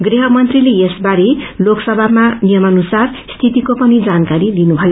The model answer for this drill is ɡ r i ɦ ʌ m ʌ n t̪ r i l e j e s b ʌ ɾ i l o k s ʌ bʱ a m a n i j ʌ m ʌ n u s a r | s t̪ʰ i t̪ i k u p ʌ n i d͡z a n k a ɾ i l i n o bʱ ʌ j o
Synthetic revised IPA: ɡ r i ɦ ʌ m ʌ n t̪ r i l e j e s b a ɾ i l o k s ʌ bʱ a m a n i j ʌ m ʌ n u s a r | s t̪ʰ i t̪ i k o p ʌ n i d͡z a n k a ɾ i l i n u bʱ ʌ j o

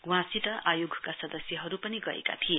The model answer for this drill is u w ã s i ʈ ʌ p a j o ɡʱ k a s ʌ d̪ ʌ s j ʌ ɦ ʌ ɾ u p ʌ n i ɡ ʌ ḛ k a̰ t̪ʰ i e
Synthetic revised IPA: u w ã s i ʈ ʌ ʔ a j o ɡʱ k a s ʌ d̪ ʌ s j ʌ ɦ ʌ ɾ u p ʌ n i ɡ ʌ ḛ k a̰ t̪ʰ i e

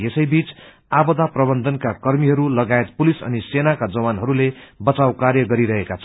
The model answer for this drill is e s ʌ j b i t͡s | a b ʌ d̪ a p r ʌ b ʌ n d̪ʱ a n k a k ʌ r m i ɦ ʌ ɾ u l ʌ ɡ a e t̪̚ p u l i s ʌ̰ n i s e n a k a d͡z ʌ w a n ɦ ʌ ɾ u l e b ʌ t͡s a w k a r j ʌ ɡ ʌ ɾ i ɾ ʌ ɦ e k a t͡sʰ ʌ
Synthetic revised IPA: e s ʌ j b i t͡s | a b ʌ d̪ a p r ʌ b ʌ n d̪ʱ ʌ n k a k ʌ r m i ɦ ʌ ɾ u l ʌ ɡ a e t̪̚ p u l i s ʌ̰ n i s e n a k a d͡z ʌ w a n ɦ ʌ ɾ u l e b ʌ t͡s a w k a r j ʌ ɡ ʌ ɾ i ɾ ʌ ɦ e k a t͡sʰ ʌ

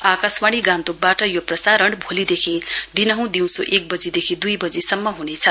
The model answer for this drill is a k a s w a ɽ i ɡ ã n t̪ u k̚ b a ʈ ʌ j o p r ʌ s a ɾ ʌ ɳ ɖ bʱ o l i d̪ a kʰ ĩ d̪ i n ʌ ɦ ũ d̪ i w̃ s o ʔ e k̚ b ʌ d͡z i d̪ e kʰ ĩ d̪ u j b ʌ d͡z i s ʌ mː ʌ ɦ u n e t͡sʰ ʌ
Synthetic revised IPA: a k a s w a ɽ i ɡ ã n t̪ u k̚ b a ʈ ʌ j o p r ʌ s a ɾ ʌ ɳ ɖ bʱ o l i d̪ e kʰ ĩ d̪ i n ʌ ɦ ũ d̪ i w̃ s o ʔ e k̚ b ʌ d͡z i d̪ e kʰ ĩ d̪ u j b ʌ d͡z i s ʌ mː ʌ ɦ u n e t͡sʰ ʌ

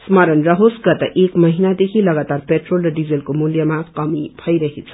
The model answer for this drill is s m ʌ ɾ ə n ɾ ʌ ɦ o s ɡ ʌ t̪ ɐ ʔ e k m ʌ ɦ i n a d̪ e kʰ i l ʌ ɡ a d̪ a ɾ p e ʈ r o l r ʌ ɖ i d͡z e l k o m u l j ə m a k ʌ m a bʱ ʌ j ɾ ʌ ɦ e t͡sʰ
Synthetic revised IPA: s m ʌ ɾ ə n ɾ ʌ ɦ o s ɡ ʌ t̪ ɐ ʔ e k m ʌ ɦ i n a d̪ e kʰ i l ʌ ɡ a t̪ a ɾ p e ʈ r o l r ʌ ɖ i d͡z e l k o m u l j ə m a k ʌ m i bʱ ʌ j ɾ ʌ ɦ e t͡sʰ

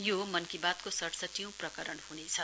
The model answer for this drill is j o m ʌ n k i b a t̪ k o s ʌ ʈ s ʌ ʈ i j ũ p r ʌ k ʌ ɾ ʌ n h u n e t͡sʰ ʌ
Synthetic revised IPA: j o m ʌ n k i b a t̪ k o s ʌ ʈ s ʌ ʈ i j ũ p r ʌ k ʌ ɾ ʌ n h u n e t͡sʰ ʌ

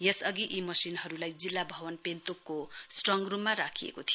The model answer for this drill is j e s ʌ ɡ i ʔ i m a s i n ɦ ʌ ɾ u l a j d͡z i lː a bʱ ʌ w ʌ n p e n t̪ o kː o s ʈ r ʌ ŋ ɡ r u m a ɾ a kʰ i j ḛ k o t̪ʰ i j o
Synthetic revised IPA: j e s ʌ ɡ i ʔ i m ʌ s i n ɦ ʌ ɾ u l a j d͡z i lː a bʱ ʌ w ʌ n p e n t̪ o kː o s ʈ r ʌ ŋ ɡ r u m a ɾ a kʰ i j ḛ k o t̪ʰ i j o

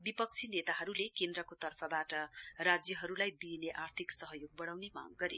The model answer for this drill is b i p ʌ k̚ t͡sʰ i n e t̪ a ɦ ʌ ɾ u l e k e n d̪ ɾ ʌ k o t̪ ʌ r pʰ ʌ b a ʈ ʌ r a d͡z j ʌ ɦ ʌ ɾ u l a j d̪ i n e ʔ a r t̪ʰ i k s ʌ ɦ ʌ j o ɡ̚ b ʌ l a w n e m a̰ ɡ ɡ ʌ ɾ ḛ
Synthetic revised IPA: b i p ʌ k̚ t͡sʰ i n e t̪ a ɦ ʌ ɾ u l e k e n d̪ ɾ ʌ k o t̪ ʌ r pʰ ʌ b a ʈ ʌ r a d͡z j ʌ ɦ ʌ ɾ u l a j d̪ i n e ʔ a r t̪ʰ i k s ʌ ɦ ʌ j o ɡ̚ b ʌ ɽ a w n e m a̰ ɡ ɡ ʌ ɾ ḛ

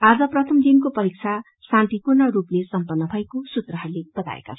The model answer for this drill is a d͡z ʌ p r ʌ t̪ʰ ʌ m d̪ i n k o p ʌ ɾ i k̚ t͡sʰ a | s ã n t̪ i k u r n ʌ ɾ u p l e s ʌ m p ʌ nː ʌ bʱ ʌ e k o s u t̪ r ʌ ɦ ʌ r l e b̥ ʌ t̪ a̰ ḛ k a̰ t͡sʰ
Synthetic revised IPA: a d͡z ʌ p r ʌ t̪ʰ ʌ m d̪ i n k o p ʌ ɾ i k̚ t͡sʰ a | s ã n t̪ i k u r n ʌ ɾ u p l e s ʌ m p ʌ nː ʌ bʱ ʌ e k o s u t̪ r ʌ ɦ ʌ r l e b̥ ʌ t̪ a̰ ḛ k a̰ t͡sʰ

